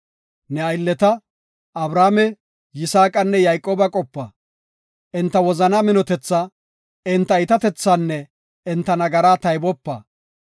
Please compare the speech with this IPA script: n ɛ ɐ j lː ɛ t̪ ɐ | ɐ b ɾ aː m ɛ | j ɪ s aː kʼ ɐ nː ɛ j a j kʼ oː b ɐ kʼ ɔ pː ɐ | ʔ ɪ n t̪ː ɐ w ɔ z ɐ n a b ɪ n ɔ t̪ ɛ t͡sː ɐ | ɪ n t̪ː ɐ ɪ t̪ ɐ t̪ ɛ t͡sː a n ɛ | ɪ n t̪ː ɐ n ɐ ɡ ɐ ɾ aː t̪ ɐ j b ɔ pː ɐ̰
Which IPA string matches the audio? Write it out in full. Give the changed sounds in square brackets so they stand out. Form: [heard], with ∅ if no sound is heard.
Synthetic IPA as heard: n ɛ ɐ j lː ɛ t̪ ɐ | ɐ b ɾ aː m ɛ | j ɪ s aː kʼ ɐ nː ɛ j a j kʼ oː b ɐ kʼ ɔ pː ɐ | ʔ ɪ n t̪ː ɐ w ɔ z ɐ n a [m] ɪ n ɔ t̪ ɛ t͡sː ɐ | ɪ n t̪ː ɐ ɪ t̪ ɐ t̪ ɛ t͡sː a [nː] ɛ | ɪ n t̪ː ɐ n ɐ ɡ ɐ ɾ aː t̪ ɐ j b ɔ pː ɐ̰